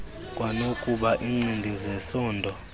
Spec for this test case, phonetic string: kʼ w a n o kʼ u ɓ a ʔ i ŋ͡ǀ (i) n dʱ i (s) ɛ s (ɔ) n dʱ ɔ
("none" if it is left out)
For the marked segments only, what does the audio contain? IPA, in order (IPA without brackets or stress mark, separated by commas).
i, z, ɔː